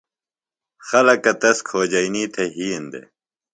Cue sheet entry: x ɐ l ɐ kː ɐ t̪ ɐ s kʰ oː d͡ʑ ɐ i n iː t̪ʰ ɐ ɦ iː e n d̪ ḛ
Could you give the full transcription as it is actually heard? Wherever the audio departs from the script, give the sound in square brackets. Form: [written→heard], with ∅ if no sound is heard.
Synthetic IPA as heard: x ɐ l ɐ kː ɐ t̪ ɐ s kʰ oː d͡ʑ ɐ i n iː t̪ʰ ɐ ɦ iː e n d̪ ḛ